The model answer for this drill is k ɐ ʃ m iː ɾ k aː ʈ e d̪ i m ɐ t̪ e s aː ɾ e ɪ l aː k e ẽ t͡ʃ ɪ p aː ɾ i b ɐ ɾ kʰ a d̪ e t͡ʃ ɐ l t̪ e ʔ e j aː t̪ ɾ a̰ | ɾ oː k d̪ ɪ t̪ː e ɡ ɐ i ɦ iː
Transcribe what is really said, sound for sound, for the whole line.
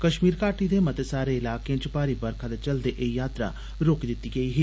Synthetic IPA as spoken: k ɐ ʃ m iː ɾ k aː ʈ i d̪ e m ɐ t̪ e s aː ɾ e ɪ l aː k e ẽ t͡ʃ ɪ p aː ɾ i b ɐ ɾ kʰ a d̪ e t͡ʃ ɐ l d̪ e ʔ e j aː t̪ ɾ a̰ | ɾ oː k d̪ ɪ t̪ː i ɡ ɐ i ɦ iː